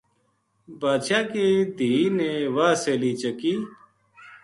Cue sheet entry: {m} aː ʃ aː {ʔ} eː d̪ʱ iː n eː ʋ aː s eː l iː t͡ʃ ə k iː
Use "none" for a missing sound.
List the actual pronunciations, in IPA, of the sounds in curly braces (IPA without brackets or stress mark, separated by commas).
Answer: b, k